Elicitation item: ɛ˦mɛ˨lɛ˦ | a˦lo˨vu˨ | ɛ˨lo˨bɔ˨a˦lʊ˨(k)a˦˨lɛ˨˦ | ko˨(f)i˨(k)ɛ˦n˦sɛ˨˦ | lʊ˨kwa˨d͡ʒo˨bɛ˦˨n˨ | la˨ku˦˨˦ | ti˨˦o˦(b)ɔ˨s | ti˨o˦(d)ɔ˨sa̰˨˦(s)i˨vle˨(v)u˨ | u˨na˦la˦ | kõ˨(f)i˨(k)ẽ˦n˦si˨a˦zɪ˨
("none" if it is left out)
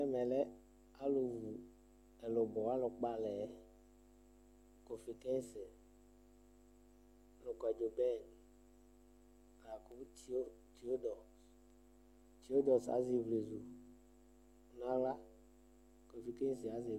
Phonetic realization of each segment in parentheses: k͡p, f, k, d, d, z, z, f, k

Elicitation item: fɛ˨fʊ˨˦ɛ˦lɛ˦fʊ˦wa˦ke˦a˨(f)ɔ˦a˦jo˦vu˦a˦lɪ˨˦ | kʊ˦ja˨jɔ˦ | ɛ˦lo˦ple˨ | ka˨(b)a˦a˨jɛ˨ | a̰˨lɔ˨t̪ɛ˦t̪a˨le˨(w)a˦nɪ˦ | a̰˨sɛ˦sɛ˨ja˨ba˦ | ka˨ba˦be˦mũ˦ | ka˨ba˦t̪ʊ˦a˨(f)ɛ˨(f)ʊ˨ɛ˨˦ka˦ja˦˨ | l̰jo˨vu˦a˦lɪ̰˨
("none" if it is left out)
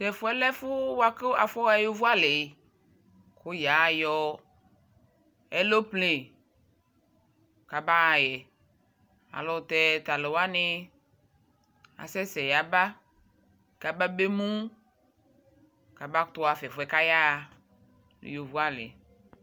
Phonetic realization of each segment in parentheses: f, b, w, f, f

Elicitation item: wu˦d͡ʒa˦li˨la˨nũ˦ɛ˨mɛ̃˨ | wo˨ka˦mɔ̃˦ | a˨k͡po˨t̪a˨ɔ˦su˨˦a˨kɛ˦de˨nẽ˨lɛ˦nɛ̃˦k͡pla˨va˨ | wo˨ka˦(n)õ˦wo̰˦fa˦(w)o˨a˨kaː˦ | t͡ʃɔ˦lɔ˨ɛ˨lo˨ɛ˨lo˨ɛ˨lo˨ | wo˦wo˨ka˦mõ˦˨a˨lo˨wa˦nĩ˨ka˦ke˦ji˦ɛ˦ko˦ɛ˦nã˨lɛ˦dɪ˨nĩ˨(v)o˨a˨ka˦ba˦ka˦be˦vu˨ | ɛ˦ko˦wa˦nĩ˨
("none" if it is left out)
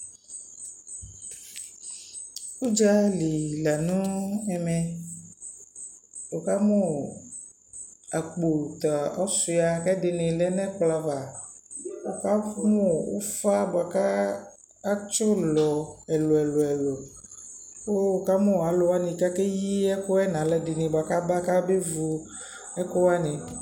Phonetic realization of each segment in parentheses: m, b, b

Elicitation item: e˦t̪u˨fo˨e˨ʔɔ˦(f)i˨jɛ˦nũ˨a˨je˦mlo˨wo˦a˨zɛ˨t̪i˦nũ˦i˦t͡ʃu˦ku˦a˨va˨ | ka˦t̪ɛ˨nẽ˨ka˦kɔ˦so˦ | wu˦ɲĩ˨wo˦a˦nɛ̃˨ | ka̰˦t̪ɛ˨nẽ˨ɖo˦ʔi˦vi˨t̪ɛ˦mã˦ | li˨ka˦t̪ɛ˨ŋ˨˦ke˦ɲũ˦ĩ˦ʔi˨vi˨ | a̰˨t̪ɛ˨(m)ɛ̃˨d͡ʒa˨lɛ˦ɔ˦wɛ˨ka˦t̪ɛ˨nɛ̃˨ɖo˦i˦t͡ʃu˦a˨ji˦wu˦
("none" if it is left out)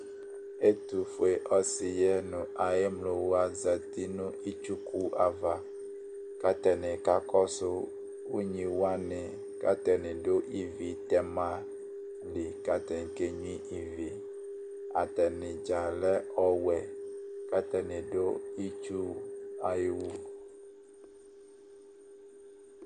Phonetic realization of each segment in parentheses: s, n

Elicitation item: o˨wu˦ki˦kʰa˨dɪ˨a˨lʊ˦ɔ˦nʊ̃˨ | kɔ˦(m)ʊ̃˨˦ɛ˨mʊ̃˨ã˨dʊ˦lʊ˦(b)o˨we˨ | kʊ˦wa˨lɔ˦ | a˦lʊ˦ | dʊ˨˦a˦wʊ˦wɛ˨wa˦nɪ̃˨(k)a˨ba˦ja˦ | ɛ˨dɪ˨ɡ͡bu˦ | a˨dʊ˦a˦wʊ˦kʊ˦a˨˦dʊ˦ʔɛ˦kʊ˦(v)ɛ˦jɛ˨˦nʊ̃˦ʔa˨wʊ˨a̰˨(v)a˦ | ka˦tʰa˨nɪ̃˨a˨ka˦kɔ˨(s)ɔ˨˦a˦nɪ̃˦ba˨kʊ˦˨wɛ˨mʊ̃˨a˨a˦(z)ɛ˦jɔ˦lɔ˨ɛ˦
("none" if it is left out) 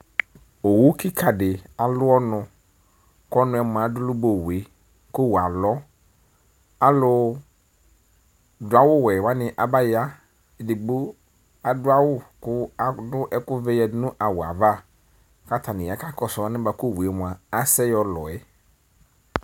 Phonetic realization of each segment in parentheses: n, b, ʔ, v, v, s, s

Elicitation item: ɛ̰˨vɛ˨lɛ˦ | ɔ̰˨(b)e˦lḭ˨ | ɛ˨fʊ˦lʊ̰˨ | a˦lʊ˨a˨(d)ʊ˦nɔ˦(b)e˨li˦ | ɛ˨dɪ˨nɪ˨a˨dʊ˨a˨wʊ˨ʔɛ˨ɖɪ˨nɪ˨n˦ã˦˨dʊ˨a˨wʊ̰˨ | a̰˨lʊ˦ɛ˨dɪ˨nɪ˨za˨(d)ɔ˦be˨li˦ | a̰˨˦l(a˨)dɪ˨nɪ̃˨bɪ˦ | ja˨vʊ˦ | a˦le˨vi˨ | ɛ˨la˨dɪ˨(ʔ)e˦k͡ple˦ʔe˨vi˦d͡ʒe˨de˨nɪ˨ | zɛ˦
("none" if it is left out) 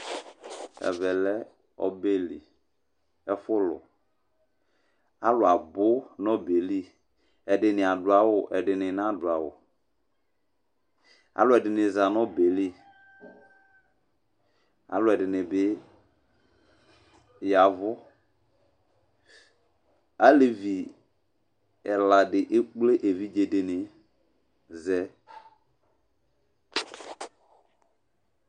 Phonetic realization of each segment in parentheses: b, b, b, n, ɛ˨, ʔ

